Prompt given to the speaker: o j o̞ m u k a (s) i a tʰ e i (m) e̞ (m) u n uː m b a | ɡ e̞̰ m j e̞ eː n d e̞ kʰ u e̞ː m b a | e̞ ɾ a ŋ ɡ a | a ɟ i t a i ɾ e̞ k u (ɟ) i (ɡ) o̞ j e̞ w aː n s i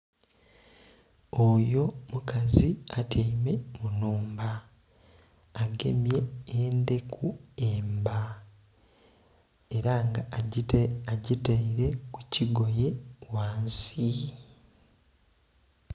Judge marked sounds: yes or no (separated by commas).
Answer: no, yes, yes, no, yes